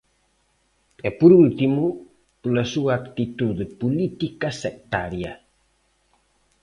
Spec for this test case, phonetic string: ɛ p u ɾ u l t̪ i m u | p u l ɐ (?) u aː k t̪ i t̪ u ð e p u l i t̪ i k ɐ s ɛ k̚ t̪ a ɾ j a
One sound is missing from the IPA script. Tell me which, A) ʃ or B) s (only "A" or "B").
B